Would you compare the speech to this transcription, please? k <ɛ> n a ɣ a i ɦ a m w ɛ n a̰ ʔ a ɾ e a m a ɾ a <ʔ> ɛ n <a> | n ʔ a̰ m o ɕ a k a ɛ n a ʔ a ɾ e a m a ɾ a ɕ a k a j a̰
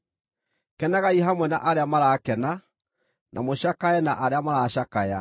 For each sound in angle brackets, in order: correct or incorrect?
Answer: correct, incorrect, correct

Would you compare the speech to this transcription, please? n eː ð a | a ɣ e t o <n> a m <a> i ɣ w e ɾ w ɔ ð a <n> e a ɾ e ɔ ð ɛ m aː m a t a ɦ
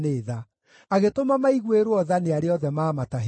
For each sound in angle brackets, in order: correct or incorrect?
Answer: incorrect, correct, correct

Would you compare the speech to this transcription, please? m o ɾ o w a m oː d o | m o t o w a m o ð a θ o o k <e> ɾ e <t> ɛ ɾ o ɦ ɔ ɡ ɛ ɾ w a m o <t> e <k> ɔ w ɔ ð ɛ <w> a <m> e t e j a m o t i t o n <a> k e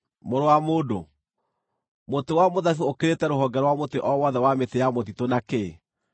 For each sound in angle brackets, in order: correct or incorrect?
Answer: correct, correct, correct, incorrect, correct, correct, correct

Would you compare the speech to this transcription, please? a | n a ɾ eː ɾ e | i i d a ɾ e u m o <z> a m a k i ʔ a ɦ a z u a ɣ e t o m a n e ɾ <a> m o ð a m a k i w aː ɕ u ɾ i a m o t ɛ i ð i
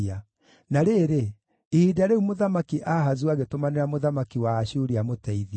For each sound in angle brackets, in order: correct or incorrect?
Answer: incorrect, correct

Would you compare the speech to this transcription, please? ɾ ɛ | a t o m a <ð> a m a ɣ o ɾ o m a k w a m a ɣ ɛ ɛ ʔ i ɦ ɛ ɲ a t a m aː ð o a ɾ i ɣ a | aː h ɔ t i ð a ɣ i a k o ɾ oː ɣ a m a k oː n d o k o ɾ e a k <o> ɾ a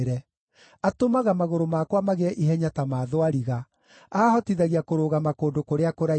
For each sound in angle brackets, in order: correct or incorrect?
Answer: incorrect, correct

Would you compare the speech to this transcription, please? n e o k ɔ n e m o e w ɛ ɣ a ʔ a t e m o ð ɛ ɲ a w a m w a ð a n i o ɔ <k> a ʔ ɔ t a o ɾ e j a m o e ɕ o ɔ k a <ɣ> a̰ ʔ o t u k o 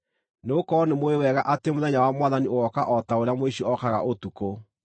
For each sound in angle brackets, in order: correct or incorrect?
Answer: correct, correct

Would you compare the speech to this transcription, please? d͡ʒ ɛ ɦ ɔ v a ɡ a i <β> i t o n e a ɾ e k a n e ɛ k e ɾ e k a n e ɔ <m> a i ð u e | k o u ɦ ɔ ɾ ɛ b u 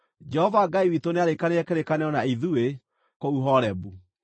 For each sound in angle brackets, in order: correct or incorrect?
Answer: incorrect, incorrect

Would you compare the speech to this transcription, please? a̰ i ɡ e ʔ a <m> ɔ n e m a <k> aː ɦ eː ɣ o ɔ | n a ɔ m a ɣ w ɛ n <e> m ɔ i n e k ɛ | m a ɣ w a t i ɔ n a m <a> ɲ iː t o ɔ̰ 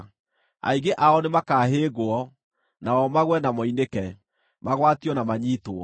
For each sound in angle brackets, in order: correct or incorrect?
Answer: incorrect, correct, incorrect, correct

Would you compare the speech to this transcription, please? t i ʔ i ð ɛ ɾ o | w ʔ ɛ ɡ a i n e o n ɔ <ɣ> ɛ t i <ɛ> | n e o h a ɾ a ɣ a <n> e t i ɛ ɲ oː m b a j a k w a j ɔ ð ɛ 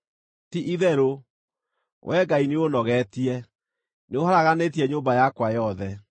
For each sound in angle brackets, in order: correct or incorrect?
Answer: correct, correct, correct

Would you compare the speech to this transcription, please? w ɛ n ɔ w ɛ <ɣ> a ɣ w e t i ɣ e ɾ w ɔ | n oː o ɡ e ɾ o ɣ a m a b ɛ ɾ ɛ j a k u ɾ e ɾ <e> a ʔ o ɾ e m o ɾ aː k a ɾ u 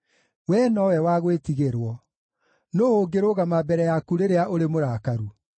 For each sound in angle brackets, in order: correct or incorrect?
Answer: incorrect, correct

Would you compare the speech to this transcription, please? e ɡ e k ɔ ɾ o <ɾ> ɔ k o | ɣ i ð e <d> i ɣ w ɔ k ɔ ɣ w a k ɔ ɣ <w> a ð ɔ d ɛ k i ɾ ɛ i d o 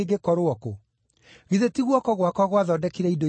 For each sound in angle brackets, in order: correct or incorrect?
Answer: incorrect, incorrect, correct

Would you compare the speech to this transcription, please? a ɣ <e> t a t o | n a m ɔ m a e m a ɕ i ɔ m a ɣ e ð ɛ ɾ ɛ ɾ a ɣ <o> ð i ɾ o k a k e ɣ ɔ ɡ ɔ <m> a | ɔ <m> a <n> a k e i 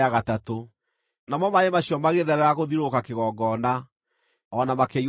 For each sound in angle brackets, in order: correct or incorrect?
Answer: incorrect, correct, incorrect, incorrect, incorrect

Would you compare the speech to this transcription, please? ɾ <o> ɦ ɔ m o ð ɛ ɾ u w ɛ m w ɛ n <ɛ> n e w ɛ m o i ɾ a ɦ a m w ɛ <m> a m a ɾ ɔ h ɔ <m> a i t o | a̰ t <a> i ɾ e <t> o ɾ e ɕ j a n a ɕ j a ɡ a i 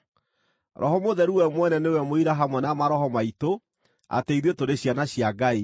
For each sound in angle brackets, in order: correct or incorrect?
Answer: incorrect, correct, incorrect, correct, incorrect, correct

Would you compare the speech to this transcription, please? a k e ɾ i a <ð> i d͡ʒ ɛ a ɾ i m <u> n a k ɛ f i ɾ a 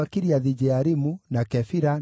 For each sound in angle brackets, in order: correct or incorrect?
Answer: correct, correct

